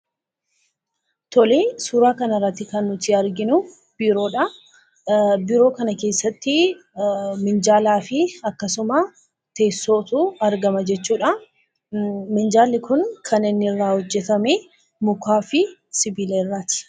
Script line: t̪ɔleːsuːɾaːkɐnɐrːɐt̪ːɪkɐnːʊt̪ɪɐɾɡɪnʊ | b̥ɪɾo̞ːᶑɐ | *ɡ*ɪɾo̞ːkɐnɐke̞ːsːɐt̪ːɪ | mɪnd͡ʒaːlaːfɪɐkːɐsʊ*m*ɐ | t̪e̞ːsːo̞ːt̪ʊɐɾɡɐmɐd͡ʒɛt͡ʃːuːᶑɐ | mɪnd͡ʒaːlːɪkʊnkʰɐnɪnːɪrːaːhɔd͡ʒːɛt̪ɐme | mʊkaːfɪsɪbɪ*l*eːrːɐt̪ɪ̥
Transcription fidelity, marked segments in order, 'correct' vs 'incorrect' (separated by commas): incorrect, correct, correct